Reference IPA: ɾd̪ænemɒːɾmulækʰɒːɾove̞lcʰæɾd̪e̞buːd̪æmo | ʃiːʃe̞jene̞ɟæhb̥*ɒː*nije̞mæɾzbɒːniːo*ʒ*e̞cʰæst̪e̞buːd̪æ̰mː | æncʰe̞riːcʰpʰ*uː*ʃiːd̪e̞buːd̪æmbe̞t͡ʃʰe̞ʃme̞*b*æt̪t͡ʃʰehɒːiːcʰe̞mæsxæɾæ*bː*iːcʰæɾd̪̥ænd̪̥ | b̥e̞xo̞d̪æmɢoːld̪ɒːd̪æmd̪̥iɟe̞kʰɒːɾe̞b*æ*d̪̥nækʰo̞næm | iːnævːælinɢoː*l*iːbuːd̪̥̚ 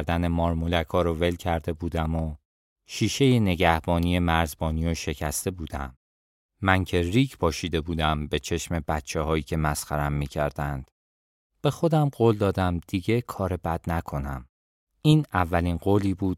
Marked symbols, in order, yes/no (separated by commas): yes, no, no, yes, no, yes, yes